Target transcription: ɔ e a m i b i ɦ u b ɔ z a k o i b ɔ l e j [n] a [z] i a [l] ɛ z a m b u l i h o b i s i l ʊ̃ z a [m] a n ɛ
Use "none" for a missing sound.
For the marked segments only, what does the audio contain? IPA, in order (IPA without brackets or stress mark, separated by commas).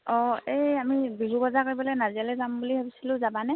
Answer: n, z, l, b